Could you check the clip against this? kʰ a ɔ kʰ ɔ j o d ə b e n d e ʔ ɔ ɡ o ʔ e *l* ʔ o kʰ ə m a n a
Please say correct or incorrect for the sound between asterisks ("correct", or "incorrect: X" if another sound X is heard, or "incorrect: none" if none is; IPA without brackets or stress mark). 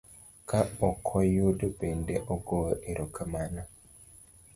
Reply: incorrect: ɾ